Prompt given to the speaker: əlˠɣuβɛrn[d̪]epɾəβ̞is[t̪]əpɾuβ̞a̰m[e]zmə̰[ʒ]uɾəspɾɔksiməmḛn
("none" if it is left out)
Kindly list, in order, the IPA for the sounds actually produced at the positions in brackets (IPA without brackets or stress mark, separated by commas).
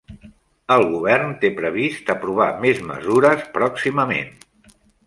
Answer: t̪, t̪, e, z